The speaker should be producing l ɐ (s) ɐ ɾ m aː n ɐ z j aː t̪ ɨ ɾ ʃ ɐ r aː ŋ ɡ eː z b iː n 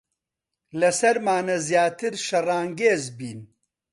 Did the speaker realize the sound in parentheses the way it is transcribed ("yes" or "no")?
yes